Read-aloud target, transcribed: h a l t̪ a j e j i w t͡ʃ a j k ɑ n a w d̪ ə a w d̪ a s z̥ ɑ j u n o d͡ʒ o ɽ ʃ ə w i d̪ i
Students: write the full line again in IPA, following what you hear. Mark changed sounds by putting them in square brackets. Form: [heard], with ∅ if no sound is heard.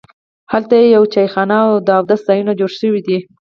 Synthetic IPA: h a l t̪ a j e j [a] w t͡ʃ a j [x] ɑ n a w d̪ ə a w d̪ a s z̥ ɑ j u n o d͡ʒ o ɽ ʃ ə w i d̪ i